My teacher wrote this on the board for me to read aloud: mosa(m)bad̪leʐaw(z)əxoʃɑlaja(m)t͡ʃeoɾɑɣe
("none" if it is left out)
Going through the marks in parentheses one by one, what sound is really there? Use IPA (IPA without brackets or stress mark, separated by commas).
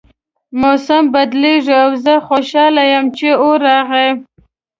m, z, m